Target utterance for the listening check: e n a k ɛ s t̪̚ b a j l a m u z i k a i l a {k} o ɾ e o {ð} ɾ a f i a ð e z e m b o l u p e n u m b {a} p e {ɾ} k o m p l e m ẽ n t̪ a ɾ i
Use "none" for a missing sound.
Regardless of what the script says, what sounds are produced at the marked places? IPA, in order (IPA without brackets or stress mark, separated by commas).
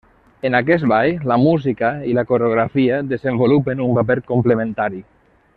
k, ɣ, a, ɾ